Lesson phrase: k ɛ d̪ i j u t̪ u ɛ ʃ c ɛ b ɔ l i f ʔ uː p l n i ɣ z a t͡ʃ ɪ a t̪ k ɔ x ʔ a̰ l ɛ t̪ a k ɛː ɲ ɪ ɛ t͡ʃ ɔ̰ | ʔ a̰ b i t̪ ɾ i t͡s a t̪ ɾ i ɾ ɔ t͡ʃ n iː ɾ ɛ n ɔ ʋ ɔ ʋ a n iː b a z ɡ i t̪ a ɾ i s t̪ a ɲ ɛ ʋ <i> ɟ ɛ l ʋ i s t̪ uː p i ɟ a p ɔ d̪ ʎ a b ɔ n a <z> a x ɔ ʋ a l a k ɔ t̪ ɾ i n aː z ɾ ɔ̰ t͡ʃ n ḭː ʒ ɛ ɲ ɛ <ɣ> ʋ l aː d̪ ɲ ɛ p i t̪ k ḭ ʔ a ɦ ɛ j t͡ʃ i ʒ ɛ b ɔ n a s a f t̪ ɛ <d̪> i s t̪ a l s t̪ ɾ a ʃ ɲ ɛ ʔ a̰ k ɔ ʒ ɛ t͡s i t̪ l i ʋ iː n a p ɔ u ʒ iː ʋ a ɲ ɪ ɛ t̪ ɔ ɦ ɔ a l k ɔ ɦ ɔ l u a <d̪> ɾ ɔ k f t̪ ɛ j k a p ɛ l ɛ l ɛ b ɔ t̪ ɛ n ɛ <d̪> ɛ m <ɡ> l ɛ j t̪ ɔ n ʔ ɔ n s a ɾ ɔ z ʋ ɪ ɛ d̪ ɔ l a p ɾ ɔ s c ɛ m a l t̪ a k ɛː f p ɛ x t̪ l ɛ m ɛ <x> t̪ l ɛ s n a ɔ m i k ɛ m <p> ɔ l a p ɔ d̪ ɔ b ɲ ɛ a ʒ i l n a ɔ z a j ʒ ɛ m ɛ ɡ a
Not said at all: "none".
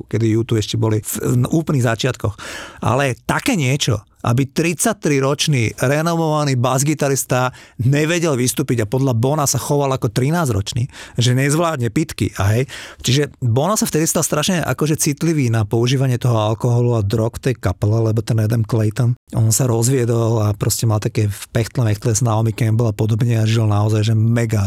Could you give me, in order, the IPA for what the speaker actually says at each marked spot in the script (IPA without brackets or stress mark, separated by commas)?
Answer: ɛ, s, z, d̪, d̪, d̪, k, x, b